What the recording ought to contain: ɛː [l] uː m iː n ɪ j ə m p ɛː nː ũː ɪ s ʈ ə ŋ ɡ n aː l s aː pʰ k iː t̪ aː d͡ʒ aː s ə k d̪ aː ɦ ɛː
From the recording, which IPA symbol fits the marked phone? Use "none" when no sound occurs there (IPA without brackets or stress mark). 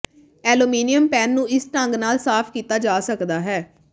l